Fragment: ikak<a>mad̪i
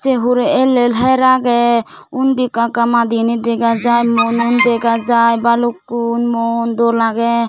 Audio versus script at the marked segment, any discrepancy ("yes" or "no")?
no